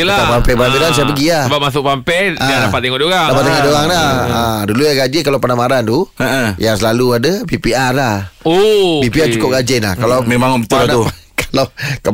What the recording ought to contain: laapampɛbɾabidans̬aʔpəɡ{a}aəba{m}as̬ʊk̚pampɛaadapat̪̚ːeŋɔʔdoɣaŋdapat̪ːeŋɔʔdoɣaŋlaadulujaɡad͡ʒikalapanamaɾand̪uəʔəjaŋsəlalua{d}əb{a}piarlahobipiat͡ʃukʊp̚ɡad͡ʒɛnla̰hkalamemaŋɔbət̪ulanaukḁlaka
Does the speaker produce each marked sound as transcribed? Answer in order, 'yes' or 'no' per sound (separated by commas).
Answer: no, yes, yes, no